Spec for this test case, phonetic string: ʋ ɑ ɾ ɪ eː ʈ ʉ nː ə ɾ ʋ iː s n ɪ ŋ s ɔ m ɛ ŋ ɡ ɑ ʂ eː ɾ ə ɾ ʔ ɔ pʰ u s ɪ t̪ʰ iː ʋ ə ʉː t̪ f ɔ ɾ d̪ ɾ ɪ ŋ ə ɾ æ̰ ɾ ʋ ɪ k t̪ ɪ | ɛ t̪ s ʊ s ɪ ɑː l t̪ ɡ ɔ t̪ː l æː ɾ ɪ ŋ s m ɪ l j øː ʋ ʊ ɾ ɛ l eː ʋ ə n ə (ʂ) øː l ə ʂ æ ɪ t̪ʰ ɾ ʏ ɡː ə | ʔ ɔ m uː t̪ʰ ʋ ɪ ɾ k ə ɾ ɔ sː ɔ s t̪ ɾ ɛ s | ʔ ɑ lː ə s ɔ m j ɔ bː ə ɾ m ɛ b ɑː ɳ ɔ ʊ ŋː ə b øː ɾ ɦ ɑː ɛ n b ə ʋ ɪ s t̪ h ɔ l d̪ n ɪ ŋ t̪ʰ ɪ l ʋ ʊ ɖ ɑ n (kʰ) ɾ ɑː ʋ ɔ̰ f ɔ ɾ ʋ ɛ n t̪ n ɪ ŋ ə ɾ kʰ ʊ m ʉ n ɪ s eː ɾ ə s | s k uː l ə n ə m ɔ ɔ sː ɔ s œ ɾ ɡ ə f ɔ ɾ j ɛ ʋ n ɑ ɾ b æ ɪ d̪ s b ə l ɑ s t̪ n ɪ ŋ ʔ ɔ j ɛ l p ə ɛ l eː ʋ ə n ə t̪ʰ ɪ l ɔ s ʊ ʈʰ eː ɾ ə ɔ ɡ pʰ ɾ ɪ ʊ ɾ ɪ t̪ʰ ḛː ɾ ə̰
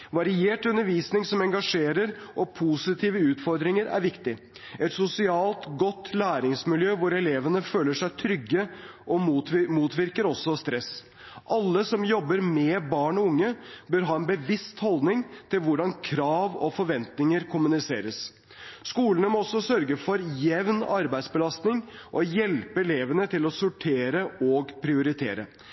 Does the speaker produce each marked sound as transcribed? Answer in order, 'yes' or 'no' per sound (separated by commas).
no, yes